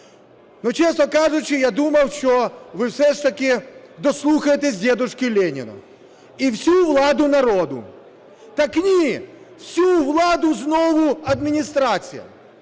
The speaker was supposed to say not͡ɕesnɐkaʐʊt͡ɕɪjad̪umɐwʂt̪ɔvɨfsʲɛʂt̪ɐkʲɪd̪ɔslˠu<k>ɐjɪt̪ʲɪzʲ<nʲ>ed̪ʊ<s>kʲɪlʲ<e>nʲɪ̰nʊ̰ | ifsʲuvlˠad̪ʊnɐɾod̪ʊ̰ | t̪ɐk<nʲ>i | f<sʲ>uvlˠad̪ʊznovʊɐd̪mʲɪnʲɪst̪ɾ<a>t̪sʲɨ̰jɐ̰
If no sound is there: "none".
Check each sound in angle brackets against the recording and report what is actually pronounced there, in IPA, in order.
x, dʲ, ʂ, e, nʲ, sʲ, a

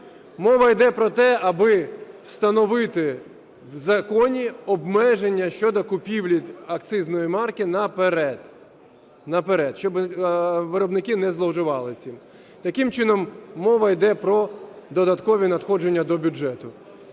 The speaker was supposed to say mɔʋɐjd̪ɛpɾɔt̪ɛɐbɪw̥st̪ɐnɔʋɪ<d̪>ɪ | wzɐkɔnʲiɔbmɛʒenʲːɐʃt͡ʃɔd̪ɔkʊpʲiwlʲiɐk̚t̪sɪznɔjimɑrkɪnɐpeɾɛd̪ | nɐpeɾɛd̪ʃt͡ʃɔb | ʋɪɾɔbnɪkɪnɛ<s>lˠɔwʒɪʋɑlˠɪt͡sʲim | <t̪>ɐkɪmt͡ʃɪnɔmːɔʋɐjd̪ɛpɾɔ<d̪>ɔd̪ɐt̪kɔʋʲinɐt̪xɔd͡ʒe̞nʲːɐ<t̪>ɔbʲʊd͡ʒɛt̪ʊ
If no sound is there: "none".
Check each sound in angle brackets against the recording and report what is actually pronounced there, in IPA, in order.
t̪, z, t̪, d̪, d̪

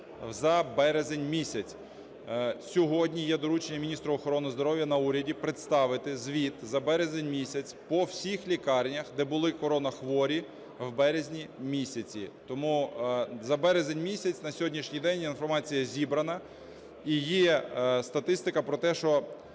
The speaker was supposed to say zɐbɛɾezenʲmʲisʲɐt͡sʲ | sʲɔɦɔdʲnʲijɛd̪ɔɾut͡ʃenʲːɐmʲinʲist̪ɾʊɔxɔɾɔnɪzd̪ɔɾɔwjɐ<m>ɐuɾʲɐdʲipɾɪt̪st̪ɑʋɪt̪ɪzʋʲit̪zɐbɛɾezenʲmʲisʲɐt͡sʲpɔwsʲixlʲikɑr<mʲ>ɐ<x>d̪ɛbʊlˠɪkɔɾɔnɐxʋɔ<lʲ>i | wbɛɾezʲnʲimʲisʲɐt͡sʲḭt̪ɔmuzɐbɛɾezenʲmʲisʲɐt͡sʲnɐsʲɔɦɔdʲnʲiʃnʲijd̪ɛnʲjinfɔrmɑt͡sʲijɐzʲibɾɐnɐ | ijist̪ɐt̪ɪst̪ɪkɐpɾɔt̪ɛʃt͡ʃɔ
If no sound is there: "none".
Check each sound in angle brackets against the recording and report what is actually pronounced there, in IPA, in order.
n, nʲ, x, ɾʲ

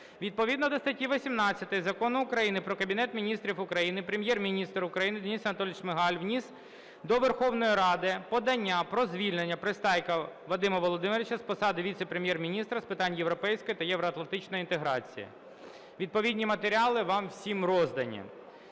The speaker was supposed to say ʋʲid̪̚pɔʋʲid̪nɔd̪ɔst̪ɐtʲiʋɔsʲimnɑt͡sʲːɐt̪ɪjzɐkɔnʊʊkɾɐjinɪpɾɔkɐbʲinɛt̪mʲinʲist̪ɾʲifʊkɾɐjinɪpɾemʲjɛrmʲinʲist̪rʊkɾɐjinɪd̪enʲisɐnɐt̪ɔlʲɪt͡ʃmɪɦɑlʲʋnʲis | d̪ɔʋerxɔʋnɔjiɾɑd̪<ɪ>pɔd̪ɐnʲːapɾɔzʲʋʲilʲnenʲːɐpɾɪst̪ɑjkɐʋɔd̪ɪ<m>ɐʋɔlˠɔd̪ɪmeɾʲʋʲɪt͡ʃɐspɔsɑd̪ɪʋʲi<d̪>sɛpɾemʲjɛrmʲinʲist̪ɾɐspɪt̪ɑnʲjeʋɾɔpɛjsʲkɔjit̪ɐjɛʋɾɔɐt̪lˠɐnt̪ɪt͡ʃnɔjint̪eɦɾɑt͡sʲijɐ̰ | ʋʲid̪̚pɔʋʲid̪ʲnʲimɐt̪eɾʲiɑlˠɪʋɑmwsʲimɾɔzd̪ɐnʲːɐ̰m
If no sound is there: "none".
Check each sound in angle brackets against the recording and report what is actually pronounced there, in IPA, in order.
ɪ, m, t̪

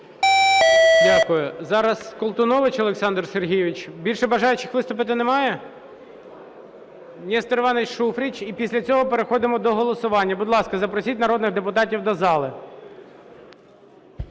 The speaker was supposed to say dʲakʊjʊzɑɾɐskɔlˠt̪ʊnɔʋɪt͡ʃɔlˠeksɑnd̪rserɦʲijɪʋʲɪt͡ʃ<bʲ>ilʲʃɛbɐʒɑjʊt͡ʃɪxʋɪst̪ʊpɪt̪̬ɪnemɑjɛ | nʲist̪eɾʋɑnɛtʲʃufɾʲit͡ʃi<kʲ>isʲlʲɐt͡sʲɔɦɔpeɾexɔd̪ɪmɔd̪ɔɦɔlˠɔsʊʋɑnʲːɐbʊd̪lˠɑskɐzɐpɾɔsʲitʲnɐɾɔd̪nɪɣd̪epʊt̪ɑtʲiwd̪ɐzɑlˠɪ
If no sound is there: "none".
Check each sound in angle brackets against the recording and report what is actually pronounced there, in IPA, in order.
bʲ, pʲ

